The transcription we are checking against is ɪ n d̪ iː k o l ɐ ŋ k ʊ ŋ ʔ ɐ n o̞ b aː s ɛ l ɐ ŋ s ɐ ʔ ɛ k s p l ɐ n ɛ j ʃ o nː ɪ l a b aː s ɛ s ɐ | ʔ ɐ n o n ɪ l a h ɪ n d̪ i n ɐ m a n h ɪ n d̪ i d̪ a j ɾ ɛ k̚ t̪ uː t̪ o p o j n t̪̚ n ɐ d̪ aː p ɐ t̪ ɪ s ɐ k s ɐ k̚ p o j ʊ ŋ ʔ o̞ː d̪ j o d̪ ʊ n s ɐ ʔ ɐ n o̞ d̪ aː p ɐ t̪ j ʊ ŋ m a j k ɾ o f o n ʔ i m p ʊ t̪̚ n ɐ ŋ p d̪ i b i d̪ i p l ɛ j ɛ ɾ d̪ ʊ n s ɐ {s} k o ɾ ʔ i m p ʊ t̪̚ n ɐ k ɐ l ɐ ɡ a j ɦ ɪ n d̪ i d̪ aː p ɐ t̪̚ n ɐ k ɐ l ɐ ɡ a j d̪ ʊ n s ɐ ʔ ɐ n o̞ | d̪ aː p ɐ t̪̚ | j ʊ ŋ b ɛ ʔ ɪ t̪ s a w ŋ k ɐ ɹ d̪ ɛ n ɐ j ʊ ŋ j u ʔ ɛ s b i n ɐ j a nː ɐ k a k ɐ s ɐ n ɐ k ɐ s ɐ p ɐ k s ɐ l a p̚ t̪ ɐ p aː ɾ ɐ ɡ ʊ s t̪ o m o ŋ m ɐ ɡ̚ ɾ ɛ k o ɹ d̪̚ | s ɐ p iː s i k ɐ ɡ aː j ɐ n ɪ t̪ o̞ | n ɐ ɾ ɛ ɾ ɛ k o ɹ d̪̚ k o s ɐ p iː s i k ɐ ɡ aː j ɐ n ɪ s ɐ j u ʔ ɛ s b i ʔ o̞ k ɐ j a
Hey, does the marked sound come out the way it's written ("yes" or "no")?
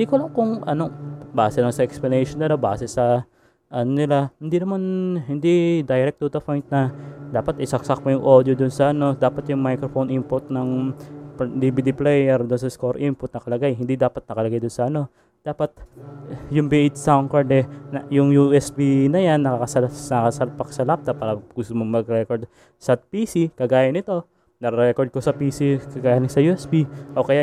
yes